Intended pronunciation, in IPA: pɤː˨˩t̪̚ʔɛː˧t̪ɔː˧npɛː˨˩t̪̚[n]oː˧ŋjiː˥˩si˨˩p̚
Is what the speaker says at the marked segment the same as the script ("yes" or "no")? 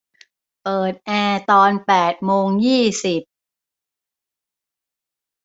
no